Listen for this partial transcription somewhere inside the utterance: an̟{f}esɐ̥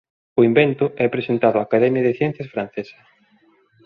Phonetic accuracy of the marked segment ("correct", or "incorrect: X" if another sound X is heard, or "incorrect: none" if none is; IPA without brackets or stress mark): incorrect: θ